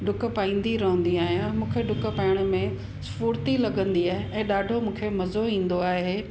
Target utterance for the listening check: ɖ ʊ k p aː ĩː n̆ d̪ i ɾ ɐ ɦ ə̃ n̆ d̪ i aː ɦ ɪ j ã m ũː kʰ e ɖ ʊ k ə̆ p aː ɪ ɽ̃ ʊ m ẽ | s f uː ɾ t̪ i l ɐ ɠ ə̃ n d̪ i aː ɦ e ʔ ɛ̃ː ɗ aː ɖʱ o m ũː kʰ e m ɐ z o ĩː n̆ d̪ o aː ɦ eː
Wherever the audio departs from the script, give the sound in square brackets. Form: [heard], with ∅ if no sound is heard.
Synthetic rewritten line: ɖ ʊ k p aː ĩː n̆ d̪ i ɾ ɐ ɦ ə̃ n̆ d̪ i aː ɦ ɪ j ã m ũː kʰ e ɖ ʊ k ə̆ p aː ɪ ɽ̃ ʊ m ẽ | s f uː ɾ t̪ i l ɐ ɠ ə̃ n d̪ i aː ɦ e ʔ ɛ̃ː ɗ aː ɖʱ o m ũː kʰ e m ɐ z o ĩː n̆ d̪ o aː ɦ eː